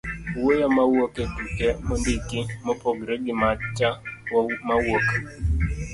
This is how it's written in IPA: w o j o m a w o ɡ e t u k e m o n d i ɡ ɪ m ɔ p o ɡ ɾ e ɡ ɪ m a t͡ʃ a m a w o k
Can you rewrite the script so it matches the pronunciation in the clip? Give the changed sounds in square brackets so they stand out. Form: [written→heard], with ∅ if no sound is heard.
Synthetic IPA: w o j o m a w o [ɡ→k] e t u k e m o n d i [ɡ→k] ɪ m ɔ p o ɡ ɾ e ɡ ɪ m a t͡ʃ a m a w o k